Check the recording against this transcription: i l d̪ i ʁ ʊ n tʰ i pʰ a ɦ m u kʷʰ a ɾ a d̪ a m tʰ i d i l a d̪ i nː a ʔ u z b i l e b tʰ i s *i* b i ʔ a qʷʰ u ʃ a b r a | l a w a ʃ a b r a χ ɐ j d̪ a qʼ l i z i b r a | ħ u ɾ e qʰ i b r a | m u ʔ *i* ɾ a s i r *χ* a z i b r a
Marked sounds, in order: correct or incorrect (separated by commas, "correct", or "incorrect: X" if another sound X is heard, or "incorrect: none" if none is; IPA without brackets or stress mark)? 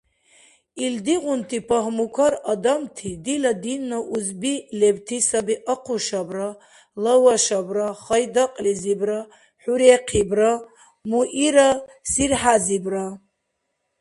incorrect: a, correct, incorrect: ħ